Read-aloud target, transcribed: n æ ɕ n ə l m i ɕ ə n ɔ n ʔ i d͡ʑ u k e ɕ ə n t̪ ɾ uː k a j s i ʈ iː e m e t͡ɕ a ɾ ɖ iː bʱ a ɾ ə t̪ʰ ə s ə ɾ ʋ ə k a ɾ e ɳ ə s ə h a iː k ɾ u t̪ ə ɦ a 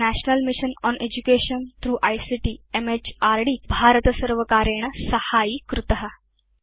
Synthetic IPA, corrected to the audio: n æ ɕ n ə l m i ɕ ə n ɔ n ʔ e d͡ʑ u k e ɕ ə n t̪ ɾ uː ʔ a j s i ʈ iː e m e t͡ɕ a ɾ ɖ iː bʱ a ɾ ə t̪ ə s ə ɾ ʋ ə k a ɾ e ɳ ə s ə h a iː k ɾ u t̪ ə ɦ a